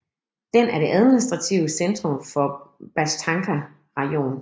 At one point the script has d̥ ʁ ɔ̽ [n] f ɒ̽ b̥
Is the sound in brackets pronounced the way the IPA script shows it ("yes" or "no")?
no